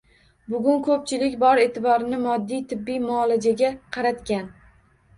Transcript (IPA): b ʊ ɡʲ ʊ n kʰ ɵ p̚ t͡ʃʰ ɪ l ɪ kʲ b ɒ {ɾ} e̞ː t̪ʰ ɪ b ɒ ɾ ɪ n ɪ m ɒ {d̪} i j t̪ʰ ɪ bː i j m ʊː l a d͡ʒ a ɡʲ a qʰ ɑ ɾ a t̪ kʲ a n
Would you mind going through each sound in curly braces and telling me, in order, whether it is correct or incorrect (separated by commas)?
correct, incorrect